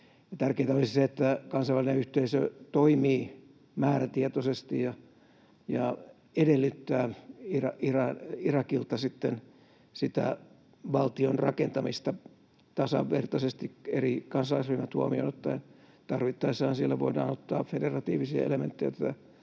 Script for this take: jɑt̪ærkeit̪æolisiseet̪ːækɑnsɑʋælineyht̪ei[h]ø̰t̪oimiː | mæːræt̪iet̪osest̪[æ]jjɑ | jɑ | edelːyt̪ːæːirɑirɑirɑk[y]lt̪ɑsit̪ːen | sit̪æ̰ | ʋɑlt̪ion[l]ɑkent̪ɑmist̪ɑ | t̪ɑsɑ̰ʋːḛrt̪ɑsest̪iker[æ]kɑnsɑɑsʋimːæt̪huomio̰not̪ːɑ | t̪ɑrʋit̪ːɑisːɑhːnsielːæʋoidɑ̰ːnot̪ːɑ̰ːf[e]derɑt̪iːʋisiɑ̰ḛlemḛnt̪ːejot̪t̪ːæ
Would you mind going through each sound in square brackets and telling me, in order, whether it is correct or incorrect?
incorrect, incorrect, incorrect, incorrect, incorrect, correct

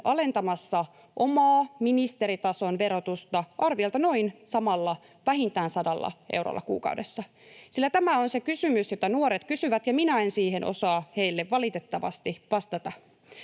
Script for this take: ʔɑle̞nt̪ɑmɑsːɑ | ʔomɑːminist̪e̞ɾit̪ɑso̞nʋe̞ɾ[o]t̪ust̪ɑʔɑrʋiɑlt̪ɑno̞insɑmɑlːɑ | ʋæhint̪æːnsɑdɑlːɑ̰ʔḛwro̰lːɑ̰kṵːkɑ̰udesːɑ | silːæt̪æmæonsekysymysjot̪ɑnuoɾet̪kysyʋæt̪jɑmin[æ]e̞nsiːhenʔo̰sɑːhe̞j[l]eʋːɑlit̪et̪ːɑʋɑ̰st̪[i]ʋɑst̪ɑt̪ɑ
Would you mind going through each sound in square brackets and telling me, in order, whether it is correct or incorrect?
correct, correct, incorrect, correct

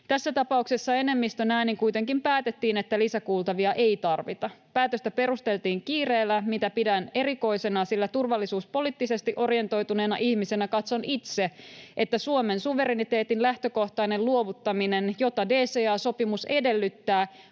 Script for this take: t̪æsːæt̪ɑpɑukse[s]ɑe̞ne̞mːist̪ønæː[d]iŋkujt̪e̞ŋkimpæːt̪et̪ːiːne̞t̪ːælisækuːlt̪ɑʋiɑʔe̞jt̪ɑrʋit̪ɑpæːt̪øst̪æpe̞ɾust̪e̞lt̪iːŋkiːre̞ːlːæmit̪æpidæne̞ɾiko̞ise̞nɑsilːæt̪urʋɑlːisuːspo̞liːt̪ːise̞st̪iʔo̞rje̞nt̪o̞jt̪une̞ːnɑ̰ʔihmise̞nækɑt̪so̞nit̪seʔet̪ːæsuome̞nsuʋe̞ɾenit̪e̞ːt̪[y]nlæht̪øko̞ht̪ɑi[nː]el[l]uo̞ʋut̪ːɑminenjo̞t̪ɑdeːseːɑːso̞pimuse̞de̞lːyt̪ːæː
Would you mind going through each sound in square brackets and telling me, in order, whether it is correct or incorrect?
incorrect, incorrect, incorrect, incorrect, correct

